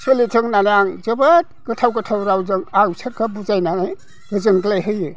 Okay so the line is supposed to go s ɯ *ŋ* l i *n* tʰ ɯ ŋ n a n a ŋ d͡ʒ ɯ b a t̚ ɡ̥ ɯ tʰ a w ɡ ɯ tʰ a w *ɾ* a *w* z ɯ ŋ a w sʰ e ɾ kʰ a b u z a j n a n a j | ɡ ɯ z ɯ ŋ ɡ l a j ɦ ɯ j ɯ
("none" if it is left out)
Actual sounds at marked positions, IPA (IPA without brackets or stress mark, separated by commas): none, none, ɾ, w